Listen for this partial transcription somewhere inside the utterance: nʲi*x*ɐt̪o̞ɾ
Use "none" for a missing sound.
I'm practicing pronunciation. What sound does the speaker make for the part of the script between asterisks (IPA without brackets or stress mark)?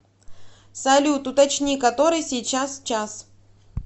k